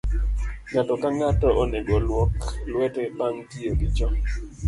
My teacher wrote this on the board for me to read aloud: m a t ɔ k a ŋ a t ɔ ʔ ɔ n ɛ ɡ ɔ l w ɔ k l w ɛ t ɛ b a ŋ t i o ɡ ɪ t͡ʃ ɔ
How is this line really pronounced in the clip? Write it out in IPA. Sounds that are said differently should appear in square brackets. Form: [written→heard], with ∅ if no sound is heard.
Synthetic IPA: [m→ŋ] a t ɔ k a ŋ a t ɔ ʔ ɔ n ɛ ɡ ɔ l w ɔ k l w ɛ t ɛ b a ŋ t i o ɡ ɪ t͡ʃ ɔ